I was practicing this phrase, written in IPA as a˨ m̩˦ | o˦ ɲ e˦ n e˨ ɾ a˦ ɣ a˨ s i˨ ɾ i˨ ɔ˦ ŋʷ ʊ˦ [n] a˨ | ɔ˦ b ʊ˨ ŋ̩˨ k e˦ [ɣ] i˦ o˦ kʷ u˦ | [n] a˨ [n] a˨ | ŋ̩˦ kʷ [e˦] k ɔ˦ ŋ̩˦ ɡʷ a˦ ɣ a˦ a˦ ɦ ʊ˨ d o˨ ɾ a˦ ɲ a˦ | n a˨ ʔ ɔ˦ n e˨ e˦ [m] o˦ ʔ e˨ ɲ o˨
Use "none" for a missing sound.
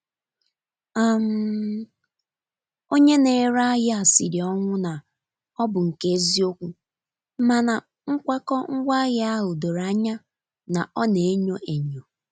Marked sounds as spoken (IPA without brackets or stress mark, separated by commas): n, z, m, n, a˦, ɲ